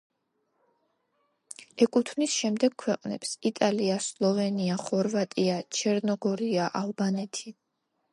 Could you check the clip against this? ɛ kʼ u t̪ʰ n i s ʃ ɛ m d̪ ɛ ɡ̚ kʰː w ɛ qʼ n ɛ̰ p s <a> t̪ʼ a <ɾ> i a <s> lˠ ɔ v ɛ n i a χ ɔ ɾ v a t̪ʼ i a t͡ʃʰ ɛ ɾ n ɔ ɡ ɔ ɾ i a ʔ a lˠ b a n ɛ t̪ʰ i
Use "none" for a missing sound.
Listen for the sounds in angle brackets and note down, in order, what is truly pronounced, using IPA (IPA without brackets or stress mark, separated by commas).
i, l, s